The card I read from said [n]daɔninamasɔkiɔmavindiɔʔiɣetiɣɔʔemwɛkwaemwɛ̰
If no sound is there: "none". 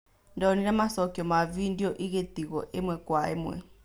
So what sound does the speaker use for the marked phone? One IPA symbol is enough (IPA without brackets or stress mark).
n